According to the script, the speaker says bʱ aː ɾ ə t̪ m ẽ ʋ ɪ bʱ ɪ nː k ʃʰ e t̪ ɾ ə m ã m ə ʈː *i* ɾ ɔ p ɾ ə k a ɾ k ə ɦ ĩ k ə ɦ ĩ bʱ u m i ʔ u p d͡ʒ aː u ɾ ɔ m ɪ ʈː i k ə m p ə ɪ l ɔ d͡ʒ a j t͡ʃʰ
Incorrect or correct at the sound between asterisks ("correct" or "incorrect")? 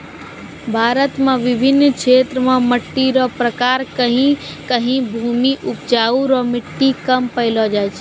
correct